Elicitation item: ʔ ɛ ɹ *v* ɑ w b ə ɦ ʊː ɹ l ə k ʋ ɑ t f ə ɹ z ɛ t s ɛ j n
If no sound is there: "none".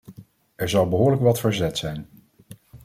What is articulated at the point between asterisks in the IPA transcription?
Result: z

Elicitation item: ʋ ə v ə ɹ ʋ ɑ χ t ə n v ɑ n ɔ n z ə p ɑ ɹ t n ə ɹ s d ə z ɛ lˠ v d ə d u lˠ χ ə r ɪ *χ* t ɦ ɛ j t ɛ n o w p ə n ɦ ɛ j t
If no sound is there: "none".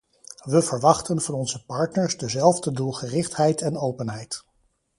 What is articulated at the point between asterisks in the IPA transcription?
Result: χ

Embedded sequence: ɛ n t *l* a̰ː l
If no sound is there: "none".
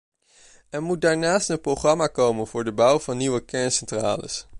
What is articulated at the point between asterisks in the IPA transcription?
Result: r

